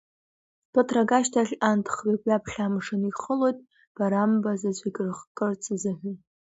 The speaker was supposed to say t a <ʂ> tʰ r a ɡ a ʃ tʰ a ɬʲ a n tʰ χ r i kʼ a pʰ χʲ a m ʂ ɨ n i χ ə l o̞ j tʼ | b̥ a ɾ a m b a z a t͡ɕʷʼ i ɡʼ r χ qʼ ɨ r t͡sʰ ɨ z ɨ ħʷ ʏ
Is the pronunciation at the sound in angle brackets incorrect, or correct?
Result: incorrect: none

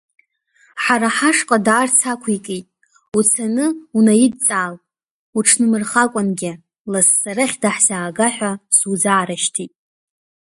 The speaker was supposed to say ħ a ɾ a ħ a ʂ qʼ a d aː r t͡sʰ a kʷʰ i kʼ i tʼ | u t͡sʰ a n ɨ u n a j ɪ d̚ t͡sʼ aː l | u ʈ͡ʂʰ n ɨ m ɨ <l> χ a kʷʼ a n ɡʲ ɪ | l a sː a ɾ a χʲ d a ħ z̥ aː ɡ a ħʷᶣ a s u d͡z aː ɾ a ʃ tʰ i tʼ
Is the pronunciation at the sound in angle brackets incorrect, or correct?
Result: incorrect: r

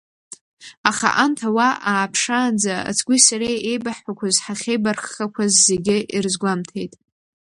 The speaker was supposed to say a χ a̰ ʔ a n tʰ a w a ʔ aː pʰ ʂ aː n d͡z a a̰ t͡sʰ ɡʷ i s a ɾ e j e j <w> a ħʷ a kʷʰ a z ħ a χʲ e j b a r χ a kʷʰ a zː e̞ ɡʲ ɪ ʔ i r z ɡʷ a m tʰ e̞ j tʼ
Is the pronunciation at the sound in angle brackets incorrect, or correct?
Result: incorrect: b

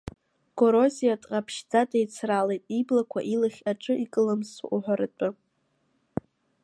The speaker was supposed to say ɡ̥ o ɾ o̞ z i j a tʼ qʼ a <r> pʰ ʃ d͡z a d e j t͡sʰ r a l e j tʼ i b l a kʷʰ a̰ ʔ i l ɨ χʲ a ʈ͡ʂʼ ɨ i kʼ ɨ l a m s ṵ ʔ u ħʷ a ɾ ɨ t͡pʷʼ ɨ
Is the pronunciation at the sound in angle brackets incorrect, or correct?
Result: incorrect: none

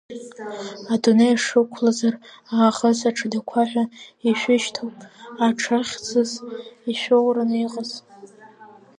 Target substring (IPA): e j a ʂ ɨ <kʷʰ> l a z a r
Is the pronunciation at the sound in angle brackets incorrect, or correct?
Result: correct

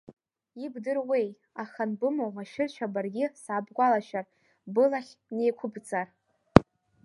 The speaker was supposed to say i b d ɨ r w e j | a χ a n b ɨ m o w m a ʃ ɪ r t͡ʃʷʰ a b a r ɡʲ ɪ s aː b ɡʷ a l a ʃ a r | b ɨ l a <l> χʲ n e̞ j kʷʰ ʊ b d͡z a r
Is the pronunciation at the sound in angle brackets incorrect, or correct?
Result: incorrect: none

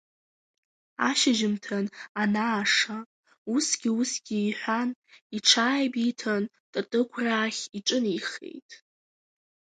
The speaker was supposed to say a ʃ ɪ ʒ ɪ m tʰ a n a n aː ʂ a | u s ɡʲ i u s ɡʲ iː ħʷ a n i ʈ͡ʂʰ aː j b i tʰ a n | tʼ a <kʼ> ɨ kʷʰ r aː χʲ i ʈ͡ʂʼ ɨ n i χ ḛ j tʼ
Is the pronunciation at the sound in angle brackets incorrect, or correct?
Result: incorrect: tʼ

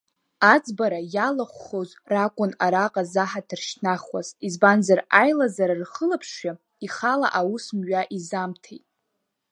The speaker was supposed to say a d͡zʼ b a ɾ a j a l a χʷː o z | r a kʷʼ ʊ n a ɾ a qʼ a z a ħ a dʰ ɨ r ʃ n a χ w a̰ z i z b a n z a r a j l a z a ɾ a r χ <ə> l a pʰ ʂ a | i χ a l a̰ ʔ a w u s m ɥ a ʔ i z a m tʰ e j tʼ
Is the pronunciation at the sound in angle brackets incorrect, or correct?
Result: correct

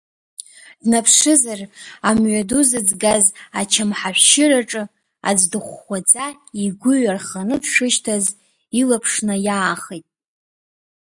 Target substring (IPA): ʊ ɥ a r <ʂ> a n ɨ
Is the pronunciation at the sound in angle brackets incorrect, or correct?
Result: incorrect: χ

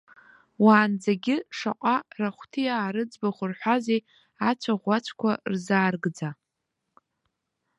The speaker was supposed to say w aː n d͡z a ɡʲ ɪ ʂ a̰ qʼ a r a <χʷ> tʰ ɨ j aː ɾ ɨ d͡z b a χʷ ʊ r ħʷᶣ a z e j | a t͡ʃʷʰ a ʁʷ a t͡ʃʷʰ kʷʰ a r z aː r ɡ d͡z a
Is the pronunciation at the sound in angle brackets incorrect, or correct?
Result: correct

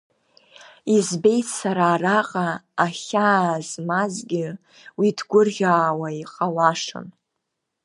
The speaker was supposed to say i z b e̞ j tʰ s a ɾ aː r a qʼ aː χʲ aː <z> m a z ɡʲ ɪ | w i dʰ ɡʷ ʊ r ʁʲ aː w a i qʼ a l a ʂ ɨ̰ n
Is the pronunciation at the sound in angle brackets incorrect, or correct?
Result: correct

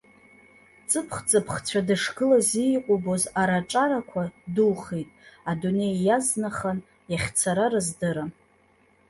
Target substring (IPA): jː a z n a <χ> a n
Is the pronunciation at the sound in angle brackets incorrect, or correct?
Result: correct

